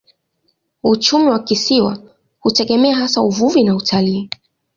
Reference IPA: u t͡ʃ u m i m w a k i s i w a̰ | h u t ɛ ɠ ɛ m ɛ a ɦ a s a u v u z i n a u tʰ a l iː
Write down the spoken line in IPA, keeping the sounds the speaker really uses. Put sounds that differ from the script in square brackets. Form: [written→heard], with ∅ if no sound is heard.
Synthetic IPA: u t͡ʃ u m i [m→∅] w a k i s i w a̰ | h u t ɛ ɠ ɛ m ɛ a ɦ a s a u v u [z→v] i n a u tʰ a l iː